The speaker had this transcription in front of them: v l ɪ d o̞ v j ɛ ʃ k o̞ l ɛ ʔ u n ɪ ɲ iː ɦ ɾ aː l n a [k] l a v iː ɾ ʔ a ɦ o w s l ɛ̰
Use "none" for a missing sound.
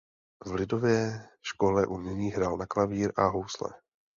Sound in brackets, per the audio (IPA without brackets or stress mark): k